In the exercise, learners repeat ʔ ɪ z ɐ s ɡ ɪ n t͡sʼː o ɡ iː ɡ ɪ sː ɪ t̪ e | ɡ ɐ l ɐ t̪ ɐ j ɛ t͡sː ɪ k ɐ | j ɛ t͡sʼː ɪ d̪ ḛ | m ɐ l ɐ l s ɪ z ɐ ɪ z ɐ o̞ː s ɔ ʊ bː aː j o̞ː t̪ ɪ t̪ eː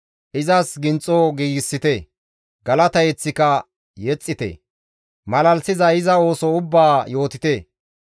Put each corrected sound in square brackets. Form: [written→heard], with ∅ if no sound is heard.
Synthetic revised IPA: ʔ ɪ z ɐ s ɡ ɪ n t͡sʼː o ɡ iː ɡ ɪ sː ɪ t̪ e | ɡ ɐ l ɐ t̪ ɐ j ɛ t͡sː ɪ k ɐ | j ɛ t͡sʼː ɪ [d̪→t̪] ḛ | m ɐ l ɐ l s ɪ z ɐ ɪ z ɐ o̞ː s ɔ ʊ bː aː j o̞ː t̪ ɪ t̪ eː